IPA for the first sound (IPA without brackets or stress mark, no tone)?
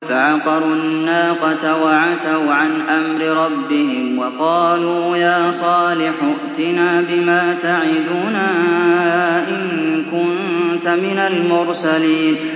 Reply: f